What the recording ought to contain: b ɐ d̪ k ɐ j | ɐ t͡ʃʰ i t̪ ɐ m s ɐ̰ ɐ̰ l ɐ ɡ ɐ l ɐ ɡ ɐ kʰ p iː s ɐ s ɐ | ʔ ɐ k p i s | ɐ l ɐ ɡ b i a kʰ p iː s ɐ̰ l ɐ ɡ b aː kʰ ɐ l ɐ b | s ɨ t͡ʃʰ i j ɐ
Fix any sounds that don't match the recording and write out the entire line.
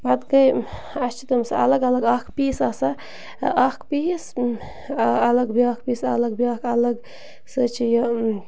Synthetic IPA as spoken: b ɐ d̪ k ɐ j | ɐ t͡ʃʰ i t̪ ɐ m s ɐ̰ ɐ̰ l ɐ ɡ ɐ l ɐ ɡ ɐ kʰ p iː s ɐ s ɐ | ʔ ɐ k p i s | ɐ l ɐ ɡ b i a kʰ p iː s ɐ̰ l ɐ ɡ b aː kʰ ɐ l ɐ ɡ | s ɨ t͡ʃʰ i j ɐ